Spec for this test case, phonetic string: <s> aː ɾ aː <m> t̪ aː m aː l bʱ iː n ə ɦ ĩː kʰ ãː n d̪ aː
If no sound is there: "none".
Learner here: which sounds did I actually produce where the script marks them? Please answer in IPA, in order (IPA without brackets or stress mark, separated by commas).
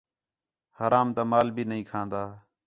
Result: h, m